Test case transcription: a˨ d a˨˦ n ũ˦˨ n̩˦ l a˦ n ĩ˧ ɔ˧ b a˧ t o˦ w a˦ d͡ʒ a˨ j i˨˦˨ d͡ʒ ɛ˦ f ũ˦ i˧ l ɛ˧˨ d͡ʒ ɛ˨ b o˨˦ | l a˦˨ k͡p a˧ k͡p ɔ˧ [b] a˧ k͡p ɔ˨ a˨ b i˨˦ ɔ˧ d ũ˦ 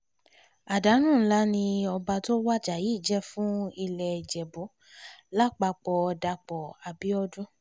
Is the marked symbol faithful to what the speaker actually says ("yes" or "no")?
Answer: no